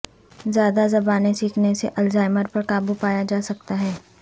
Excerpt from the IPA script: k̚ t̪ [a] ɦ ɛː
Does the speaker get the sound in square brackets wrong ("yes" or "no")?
no